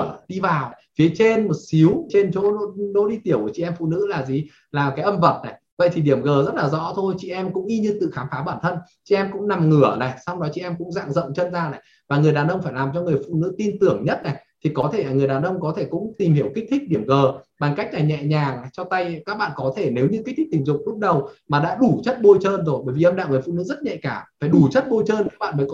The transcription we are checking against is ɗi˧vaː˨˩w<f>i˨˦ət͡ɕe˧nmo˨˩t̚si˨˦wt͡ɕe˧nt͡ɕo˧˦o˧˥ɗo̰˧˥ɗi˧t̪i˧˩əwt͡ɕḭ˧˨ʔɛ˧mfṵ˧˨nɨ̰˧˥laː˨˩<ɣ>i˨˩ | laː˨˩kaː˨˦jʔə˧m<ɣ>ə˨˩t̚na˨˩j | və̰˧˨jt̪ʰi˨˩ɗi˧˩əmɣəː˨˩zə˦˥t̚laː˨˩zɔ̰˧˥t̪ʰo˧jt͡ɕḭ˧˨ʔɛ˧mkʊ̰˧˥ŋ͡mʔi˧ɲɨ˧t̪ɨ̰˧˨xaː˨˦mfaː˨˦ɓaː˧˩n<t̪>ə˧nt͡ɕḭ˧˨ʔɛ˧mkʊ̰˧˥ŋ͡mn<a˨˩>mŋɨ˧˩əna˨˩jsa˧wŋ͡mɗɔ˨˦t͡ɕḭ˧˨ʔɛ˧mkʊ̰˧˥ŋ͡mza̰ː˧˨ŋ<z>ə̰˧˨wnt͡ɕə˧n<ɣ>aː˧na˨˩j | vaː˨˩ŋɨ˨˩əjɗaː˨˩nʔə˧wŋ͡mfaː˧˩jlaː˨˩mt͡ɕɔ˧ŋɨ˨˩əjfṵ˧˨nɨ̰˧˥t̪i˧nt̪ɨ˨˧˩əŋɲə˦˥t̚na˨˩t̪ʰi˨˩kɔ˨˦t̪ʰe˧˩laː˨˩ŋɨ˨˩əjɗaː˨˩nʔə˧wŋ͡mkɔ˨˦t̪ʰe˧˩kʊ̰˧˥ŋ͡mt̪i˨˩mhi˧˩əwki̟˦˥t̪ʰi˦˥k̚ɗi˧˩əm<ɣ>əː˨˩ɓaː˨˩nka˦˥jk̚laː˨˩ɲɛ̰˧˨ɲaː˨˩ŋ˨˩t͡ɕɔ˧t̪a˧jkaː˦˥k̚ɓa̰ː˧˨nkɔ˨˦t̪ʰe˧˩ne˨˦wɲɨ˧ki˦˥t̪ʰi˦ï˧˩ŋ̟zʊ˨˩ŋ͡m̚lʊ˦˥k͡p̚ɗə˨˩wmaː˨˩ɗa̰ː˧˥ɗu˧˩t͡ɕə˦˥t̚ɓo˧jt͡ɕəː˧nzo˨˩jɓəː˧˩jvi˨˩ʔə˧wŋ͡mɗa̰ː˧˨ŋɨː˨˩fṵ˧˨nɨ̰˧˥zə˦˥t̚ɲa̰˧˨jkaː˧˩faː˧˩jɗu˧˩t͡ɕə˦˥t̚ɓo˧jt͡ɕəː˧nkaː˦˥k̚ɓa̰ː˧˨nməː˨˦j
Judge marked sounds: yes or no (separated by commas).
yes, no, no, no, yes, yes, no, yes